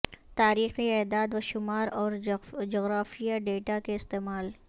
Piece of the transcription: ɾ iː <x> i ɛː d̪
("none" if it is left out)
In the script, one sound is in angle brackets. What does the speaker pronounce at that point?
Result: x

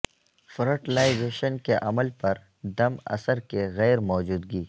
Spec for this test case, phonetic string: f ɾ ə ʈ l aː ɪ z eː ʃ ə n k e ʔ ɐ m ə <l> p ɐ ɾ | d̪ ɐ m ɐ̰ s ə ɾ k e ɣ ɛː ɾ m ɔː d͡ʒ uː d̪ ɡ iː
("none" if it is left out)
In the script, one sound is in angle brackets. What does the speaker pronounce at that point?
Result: l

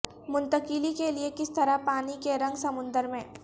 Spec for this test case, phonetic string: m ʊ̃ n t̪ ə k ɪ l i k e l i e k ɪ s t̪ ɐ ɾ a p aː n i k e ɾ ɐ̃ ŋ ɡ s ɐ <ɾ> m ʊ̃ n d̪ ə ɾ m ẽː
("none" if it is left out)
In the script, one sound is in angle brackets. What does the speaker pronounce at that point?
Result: none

